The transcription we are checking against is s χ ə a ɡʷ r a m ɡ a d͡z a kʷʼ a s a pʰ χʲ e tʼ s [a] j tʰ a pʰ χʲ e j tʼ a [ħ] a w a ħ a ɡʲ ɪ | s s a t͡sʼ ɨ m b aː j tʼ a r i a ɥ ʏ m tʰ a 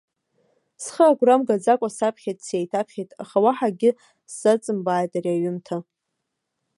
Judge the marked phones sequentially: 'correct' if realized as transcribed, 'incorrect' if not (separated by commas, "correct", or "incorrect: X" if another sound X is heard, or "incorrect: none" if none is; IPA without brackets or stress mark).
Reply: incorrect: e, incorrect: χ